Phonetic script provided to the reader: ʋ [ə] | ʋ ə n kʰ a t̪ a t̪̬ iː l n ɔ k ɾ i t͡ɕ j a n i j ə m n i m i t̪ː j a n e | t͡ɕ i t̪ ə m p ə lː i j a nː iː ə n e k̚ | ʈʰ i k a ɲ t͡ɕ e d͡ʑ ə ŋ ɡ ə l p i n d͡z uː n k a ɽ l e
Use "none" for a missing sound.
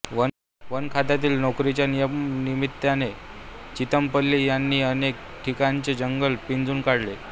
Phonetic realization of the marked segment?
ə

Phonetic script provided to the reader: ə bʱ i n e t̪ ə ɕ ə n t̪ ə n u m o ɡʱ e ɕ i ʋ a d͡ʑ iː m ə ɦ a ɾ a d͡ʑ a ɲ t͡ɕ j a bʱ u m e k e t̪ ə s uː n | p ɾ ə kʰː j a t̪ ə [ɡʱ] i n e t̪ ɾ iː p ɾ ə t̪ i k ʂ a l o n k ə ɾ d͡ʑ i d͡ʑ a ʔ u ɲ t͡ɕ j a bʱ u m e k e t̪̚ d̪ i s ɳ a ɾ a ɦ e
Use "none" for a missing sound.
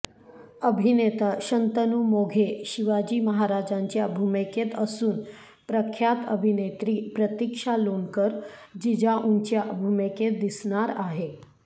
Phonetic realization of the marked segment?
bʱ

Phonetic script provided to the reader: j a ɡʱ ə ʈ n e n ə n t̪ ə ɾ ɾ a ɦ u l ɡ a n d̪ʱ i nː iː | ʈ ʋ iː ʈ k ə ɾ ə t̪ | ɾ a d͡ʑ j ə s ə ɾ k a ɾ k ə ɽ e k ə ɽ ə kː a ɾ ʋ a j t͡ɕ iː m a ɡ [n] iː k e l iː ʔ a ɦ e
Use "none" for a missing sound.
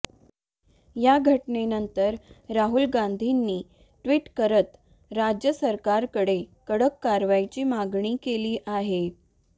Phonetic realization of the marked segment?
ɳ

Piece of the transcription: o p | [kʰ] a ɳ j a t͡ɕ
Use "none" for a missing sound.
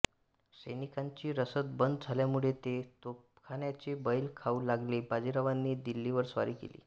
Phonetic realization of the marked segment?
kʰ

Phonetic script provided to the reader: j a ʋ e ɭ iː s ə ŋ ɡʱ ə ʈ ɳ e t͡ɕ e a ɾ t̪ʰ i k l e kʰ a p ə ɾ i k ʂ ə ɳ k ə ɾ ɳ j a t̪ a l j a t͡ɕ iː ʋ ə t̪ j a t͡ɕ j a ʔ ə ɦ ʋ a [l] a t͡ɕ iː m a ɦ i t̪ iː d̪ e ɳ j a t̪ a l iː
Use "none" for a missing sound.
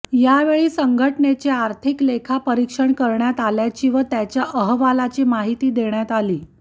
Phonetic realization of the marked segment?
l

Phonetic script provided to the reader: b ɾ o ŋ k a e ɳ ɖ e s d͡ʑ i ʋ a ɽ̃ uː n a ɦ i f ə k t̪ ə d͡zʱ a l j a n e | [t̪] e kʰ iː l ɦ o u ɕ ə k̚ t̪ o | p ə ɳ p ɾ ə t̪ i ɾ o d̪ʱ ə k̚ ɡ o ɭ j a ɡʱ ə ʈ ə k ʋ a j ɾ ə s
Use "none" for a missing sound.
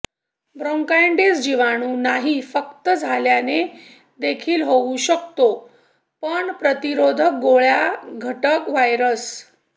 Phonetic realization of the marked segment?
d̪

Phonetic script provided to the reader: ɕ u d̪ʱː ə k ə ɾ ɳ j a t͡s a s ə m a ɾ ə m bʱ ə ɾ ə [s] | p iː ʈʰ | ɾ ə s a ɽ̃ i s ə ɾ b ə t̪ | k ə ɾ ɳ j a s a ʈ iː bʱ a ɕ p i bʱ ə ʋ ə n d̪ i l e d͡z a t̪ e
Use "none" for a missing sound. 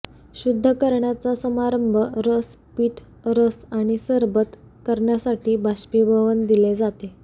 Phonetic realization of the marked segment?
s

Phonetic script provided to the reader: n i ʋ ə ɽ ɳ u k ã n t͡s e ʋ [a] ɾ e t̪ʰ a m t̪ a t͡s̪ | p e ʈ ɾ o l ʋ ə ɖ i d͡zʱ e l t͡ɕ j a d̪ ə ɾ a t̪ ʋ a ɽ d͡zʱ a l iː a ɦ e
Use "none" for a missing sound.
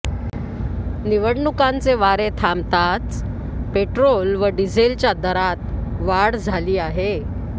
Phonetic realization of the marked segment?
a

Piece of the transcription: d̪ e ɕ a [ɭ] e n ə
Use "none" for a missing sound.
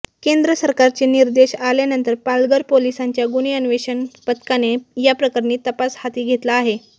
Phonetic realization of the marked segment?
l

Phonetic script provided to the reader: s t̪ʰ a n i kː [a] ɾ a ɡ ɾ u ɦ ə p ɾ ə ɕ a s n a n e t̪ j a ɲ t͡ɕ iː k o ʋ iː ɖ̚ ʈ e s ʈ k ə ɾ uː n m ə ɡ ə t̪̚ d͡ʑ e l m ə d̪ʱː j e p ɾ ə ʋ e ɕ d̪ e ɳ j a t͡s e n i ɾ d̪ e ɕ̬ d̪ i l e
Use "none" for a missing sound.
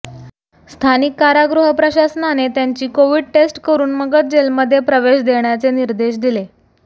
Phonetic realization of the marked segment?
a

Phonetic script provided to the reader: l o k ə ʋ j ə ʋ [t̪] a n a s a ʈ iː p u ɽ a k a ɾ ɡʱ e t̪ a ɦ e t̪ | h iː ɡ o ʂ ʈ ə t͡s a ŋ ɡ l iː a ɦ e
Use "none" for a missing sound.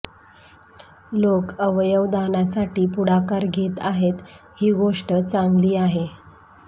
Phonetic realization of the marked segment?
d̪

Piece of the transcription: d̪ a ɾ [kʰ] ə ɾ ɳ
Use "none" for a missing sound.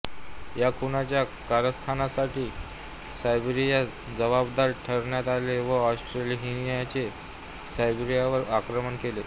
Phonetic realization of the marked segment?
ʈʰ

